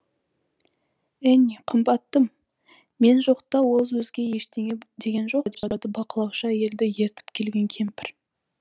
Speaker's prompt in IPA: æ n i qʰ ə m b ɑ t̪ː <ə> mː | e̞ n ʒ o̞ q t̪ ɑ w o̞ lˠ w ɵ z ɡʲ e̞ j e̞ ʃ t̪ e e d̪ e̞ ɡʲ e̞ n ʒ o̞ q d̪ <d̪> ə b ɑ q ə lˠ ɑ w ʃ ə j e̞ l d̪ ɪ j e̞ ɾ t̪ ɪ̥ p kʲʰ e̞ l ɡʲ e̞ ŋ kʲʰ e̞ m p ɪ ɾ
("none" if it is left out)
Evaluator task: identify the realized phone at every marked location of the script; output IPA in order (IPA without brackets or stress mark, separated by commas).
ə, d̪